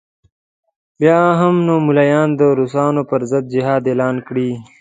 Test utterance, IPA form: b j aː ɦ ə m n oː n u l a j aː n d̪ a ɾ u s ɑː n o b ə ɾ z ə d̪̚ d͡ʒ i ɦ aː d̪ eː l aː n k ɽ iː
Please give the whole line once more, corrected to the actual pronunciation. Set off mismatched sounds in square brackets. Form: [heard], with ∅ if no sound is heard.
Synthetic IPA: b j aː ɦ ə m n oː [m] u l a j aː n d̪ [ə] ɾ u s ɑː n o [p] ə ɾ z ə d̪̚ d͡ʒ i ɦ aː d̪ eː l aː n k ɽ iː